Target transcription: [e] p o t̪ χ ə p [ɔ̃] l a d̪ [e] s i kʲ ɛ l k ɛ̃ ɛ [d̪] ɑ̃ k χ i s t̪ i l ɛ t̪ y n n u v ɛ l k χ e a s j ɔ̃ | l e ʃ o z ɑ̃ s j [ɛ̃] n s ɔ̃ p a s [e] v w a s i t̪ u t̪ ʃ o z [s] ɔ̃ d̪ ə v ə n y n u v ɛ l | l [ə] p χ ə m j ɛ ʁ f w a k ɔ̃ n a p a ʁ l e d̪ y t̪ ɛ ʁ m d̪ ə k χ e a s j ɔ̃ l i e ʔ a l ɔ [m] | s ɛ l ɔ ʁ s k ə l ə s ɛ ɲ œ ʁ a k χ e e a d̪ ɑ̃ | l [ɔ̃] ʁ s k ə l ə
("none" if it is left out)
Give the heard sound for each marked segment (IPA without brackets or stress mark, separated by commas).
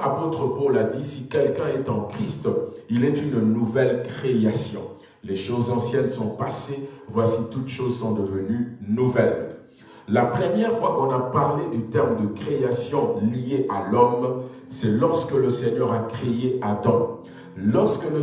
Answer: a, ɔ, i, t̪, ɛ, e, s, a, m, ɔ